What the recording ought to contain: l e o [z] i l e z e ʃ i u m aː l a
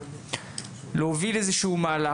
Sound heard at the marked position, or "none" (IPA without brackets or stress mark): v